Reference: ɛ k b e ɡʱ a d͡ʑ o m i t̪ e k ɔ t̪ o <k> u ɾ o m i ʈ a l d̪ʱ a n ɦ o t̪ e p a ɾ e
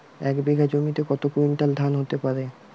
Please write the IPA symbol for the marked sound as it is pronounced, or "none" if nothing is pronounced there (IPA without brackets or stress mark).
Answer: k